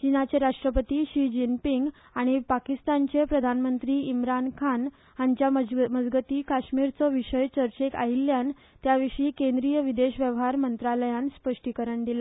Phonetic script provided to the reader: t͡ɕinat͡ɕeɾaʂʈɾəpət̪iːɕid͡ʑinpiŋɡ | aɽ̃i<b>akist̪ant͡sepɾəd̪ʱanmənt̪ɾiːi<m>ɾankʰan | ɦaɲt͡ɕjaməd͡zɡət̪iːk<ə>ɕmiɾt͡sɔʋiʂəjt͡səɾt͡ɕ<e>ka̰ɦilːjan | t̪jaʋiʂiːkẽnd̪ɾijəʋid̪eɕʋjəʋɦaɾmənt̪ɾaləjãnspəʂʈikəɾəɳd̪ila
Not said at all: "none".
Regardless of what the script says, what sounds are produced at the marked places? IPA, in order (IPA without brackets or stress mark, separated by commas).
p, m, a, e